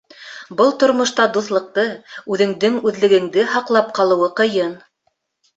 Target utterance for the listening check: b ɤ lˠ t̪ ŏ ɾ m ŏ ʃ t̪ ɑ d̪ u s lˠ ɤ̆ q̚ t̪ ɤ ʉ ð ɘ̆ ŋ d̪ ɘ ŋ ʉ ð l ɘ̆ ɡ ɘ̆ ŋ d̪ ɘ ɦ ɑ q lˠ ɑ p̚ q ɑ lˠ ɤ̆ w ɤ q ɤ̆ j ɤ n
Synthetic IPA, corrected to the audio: b ɤ lˠ t̪ ŏ ɾ m ŏ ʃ t̪ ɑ d̪ u θ lˠ ɤ̆ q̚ t̪ ɤ ʉ ð ɘ̆ ŋ d̪ ɘ ŋ ʉ ð l ɘ̆ ɡ ɘ̆ ŋ d̪ ɘ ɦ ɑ q lˠ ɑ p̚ q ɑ lˠ ɤ̆ w ɤ q ɤ̆ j ɤ n